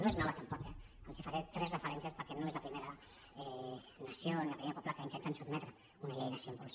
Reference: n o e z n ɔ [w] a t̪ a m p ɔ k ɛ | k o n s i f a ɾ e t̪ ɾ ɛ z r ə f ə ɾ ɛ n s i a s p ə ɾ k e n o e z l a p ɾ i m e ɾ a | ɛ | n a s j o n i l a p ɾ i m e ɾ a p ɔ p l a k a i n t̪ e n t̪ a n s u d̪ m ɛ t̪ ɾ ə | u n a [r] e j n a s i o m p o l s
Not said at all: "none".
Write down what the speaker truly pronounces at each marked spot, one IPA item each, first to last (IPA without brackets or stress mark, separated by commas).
β, ʎ